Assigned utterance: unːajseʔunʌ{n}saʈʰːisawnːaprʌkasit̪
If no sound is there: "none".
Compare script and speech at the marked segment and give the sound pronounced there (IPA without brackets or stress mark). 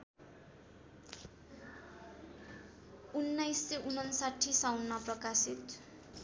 n